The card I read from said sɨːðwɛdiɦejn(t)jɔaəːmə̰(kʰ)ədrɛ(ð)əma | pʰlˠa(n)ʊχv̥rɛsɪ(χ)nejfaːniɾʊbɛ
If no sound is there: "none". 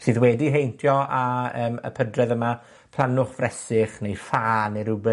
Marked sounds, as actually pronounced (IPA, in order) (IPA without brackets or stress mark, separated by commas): tʰ, pʰ, ð, n, χ